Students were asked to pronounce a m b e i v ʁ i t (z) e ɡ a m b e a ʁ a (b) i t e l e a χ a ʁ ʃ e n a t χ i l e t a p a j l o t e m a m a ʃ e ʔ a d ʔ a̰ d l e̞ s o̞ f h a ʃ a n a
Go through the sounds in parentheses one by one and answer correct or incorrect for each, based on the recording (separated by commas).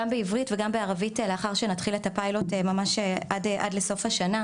incorrect, incorrect